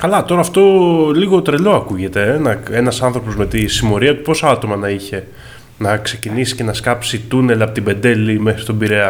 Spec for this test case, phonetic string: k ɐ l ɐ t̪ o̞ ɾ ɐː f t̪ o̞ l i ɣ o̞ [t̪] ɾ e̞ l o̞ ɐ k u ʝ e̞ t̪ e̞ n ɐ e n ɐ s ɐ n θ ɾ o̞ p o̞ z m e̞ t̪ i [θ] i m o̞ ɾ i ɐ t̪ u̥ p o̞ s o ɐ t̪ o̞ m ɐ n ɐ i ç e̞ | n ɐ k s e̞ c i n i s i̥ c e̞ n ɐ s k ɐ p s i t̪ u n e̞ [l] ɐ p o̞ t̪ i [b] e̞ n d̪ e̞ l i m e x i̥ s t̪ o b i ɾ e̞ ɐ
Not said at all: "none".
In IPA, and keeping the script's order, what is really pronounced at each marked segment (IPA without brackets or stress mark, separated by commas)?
t̪, s, l, b